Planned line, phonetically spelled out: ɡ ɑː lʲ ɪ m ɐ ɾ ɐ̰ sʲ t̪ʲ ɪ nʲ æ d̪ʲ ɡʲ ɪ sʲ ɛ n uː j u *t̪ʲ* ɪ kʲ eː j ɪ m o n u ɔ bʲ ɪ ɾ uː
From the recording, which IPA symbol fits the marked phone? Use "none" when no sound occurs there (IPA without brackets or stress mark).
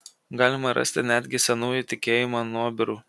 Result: t̪ʲ